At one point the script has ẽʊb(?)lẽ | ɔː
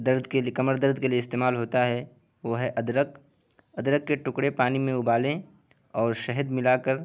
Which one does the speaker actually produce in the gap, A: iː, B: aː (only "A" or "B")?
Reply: B